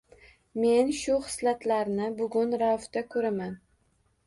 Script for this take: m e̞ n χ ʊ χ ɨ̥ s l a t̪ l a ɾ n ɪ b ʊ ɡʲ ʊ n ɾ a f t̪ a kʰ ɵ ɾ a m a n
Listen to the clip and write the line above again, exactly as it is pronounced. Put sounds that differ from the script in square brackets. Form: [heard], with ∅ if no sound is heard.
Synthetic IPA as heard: m e̞ n [ʃ] ʊ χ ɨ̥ s l a t̪ l a ɾ n ɪ b ʊ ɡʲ ʊ n ɾ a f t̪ a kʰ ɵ ɾ a m a n